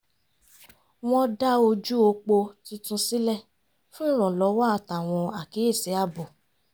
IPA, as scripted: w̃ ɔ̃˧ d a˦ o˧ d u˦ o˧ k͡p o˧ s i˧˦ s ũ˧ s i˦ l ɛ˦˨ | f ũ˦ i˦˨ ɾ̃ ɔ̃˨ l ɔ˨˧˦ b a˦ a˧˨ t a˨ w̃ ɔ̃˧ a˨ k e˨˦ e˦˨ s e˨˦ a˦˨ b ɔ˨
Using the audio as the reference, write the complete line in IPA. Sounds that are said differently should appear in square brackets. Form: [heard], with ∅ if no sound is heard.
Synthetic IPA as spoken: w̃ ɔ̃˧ d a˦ o˧ [d͡ʒ] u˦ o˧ k͡p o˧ [t] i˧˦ [t] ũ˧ s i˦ l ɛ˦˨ | f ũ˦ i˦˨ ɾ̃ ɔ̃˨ l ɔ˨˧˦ [w] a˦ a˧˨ t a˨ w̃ ɔ̃˧ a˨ k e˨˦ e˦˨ s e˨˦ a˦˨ b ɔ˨